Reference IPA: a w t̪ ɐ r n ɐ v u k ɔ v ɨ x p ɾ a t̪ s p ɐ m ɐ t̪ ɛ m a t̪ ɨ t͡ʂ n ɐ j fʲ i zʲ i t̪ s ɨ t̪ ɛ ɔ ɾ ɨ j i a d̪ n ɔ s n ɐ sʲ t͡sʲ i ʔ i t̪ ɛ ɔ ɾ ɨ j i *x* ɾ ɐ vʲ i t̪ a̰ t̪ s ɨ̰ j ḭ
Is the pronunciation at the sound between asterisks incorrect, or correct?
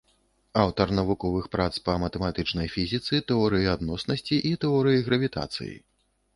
incorrect: ɣ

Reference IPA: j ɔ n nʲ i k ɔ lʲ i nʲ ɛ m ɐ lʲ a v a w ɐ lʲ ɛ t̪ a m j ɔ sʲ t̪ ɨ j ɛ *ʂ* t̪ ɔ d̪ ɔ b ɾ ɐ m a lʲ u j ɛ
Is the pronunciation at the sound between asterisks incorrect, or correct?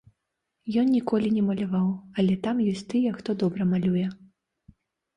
incorrect: x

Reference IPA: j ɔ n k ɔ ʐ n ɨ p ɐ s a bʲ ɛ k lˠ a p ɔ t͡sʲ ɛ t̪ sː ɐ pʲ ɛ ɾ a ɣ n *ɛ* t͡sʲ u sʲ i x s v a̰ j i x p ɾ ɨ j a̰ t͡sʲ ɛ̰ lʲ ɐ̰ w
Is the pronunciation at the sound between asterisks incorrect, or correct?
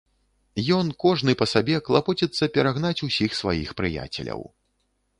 incorrect: a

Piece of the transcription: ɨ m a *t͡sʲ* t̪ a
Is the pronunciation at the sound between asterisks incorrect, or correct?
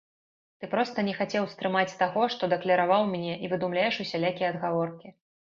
correct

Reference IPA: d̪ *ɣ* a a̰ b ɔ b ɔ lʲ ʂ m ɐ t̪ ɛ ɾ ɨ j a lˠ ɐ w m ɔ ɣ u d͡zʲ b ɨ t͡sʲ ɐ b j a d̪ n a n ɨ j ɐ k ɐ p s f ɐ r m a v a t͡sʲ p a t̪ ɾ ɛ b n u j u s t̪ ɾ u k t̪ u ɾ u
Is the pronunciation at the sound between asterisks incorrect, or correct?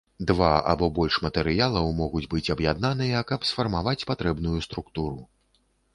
incorrect: v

